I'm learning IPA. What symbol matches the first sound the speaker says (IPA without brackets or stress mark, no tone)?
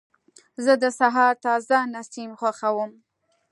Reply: z